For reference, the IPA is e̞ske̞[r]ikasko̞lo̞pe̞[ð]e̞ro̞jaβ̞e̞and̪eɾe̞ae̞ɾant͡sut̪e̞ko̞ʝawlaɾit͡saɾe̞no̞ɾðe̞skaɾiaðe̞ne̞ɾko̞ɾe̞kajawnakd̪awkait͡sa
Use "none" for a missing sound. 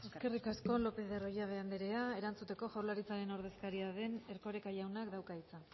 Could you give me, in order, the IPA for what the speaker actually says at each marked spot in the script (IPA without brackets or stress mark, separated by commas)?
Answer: r, ð